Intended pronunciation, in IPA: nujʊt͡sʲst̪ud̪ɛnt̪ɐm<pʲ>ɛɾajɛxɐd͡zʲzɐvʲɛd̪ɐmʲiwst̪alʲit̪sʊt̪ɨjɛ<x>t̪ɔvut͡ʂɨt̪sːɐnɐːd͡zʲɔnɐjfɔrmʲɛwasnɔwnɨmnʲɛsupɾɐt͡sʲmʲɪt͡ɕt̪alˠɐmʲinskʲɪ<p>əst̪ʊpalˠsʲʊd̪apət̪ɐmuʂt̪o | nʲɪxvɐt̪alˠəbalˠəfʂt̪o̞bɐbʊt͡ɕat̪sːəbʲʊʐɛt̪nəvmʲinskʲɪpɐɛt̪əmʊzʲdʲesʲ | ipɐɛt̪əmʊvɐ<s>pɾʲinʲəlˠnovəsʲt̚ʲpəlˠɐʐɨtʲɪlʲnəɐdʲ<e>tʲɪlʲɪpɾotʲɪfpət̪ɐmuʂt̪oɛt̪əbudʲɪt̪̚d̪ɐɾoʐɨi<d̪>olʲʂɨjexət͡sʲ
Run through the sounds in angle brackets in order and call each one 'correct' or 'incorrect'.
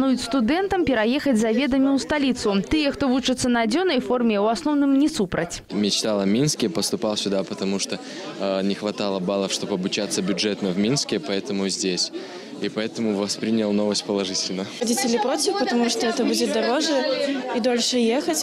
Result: correct, correct, correct, correct, incorrect, correct

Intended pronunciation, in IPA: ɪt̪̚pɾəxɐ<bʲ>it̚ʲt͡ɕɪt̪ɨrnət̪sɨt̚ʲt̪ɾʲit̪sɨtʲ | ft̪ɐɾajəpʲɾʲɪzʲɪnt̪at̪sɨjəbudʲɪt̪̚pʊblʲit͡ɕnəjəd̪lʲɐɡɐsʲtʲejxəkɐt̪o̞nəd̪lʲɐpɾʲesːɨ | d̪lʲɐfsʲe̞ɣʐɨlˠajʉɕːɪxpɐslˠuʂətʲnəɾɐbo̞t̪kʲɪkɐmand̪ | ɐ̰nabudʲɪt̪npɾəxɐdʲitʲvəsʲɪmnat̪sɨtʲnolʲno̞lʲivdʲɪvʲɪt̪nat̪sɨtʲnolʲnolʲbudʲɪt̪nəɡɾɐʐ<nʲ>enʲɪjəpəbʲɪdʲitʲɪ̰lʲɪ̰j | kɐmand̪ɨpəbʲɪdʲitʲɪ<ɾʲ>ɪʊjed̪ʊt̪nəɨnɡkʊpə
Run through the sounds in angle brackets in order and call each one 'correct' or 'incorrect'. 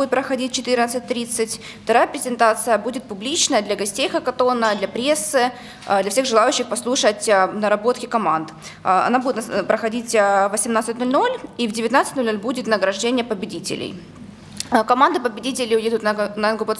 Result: incorrect, incorrect, incorrect

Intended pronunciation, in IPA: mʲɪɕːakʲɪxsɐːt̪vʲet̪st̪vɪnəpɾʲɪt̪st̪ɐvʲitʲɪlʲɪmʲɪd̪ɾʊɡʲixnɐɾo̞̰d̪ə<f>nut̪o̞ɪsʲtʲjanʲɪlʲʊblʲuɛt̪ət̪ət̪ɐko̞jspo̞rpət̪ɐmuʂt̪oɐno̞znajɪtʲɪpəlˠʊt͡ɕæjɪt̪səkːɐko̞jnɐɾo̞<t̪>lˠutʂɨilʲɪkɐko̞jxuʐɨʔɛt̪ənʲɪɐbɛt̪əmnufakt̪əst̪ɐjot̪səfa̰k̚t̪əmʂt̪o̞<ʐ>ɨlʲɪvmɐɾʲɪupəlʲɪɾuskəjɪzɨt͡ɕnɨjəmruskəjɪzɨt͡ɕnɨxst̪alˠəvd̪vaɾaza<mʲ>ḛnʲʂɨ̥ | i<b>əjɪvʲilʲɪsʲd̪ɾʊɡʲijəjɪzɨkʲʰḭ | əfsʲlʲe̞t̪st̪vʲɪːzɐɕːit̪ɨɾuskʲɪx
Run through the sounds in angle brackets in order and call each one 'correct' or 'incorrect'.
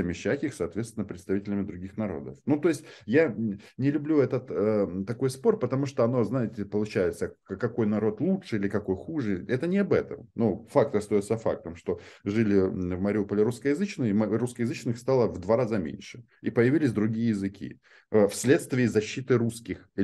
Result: correct, correct, correct, correct, incorrect

